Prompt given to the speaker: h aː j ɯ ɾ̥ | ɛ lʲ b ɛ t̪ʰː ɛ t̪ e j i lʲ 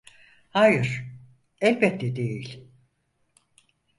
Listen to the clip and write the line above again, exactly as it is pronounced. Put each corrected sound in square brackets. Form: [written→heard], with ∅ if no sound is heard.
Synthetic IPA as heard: h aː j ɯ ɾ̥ | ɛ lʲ b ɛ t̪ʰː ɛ [t̪→d̪] e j i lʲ